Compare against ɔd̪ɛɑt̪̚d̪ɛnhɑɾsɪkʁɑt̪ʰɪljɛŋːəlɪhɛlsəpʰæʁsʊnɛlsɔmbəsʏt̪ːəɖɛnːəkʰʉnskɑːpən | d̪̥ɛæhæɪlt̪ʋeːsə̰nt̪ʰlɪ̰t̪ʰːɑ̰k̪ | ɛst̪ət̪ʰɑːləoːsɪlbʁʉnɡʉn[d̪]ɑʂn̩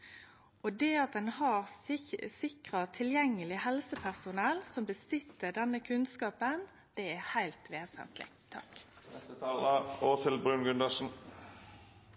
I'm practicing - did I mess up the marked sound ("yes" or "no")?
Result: no